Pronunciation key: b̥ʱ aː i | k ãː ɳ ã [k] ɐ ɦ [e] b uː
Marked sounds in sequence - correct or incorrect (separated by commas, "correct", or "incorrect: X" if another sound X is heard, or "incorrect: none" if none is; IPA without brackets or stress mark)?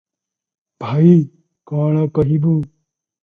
correct, incorrect: i